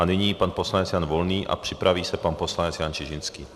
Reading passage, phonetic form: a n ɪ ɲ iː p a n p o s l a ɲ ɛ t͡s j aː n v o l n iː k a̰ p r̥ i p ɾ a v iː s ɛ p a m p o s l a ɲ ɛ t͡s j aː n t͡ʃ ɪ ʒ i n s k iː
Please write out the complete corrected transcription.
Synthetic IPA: a n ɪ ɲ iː p a n p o s l a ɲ ɛ t͡s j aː n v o l n iː ʔ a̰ p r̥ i p ɾ a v iː s ɛ p a n p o s l a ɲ ɛ t͡s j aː n t͡ʃ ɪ ʒ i n s k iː